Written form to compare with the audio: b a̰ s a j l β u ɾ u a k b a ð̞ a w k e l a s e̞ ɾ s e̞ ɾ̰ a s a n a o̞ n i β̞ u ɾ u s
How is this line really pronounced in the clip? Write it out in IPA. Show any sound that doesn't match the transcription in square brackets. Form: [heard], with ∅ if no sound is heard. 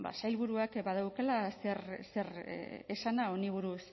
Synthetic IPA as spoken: b a̰ s a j l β u ɾ u a k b a ð̞ a w k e l a s e̞ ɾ s e̞ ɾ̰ [e] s a n a o̞ n i β̞ u ɾ u s